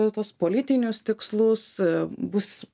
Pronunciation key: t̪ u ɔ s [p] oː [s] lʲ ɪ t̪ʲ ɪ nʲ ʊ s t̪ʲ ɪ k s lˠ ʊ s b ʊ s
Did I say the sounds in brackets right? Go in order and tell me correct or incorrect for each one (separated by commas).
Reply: correct, incorrect